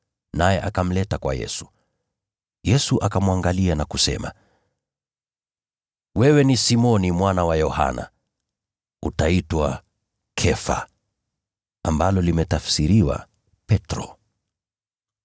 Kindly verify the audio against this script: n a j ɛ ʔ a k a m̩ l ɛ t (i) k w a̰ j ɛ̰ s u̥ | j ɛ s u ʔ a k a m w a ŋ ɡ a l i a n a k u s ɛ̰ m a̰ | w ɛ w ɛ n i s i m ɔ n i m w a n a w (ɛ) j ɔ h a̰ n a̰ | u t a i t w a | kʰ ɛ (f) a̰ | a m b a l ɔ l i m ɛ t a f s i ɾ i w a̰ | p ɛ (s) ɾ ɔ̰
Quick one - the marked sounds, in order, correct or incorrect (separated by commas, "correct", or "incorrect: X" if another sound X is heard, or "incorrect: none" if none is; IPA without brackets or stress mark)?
incorrect: a, incorrect: a, correct, incorrect: t